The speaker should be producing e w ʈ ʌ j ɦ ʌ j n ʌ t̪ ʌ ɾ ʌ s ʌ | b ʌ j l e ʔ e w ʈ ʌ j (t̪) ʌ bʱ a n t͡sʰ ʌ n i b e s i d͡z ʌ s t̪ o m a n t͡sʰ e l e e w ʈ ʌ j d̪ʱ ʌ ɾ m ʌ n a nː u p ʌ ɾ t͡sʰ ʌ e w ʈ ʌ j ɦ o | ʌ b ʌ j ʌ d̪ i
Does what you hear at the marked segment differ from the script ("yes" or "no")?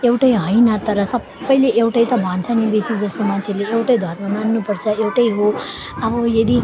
no